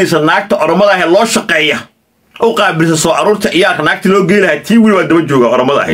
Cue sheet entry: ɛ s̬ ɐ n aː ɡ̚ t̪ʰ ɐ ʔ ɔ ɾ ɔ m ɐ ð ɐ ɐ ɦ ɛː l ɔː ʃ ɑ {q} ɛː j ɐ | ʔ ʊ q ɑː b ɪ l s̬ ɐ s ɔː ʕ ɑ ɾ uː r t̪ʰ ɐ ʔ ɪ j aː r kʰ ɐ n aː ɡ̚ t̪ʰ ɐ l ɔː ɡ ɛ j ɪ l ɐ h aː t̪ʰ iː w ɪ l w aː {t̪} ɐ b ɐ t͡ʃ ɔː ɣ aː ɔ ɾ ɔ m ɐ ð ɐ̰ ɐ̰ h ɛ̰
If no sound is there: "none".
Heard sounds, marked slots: q, d̪

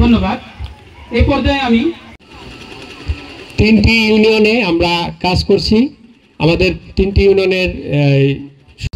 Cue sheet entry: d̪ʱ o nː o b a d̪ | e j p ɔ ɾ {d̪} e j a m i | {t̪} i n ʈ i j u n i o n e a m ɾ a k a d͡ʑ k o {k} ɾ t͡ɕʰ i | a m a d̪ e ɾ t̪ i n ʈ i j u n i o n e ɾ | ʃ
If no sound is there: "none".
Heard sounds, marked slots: d̪, t̪, none

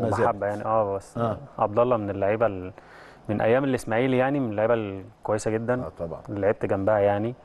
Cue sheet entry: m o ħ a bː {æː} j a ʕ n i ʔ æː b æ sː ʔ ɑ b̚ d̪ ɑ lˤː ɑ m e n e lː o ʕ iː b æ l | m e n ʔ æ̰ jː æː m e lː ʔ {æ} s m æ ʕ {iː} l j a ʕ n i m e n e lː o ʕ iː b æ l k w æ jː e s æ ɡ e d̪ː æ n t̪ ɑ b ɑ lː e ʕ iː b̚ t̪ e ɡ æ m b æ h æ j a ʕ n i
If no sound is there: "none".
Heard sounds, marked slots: æ, e, iː

